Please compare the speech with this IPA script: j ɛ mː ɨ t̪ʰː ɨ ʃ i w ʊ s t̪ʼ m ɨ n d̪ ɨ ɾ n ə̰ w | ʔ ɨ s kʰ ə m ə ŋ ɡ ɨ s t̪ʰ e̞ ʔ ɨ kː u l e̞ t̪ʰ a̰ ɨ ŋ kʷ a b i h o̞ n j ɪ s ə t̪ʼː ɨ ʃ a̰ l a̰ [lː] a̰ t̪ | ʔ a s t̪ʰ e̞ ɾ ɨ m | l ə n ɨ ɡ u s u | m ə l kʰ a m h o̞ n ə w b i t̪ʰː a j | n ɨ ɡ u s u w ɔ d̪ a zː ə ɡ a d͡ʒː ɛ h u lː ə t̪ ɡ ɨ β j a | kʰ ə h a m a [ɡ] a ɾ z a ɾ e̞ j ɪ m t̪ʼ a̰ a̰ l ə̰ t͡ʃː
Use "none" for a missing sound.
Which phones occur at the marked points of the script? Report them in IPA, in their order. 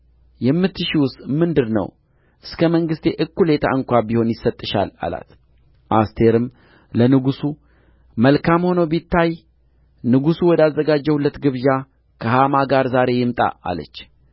l, ɡ

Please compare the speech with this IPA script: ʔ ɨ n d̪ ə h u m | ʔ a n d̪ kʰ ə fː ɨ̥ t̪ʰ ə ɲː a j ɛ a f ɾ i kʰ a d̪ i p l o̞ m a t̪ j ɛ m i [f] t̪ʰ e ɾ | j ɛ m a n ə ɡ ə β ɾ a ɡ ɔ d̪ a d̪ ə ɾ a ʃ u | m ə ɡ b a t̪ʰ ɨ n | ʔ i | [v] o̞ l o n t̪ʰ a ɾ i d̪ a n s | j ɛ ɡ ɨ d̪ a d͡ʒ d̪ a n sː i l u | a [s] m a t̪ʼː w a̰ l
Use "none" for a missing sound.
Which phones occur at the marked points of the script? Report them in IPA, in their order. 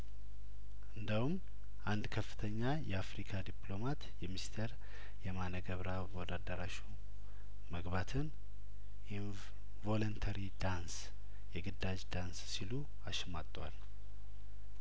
s, v, ʃ

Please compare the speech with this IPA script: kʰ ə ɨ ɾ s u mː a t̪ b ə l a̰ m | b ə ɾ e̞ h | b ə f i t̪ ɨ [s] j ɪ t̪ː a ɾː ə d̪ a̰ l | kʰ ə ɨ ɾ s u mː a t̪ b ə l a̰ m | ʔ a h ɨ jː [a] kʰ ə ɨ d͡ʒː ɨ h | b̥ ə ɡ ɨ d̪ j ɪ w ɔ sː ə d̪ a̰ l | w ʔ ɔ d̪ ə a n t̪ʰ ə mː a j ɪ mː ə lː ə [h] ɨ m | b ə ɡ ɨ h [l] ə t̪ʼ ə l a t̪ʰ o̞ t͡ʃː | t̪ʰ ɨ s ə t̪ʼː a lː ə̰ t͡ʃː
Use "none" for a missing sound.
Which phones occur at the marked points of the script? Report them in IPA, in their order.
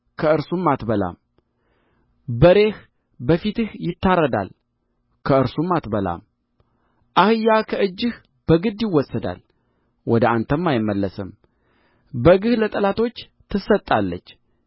h, a, s, l

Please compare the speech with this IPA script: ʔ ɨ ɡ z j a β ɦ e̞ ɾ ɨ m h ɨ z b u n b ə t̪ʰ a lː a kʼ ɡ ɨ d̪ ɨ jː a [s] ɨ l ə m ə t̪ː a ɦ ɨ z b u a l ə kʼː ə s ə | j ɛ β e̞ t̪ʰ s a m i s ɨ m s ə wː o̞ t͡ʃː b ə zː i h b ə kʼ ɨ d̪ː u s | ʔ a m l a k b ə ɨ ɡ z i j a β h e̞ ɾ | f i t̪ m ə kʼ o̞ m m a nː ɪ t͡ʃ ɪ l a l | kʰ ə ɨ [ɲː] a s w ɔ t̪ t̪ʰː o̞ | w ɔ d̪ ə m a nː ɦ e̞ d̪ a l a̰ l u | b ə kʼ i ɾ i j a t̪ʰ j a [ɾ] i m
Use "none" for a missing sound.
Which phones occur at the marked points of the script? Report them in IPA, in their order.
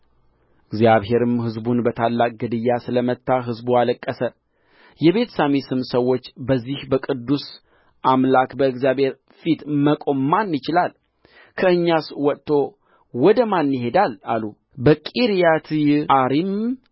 s, ɲː, ɾ

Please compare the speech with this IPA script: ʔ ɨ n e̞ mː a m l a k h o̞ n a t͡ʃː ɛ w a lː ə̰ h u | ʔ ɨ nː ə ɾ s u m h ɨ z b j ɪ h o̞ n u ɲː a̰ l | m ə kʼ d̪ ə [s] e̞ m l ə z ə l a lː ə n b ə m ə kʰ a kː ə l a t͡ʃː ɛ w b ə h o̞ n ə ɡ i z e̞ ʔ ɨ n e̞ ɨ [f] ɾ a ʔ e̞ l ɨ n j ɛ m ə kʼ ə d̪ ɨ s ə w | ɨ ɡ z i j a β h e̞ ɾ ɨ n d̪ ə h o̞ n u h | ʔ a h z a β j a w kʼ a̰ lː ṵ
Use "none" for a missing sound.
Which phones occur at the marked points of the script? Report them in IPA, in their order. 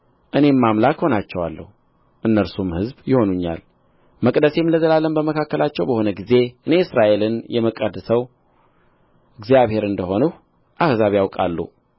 s, s

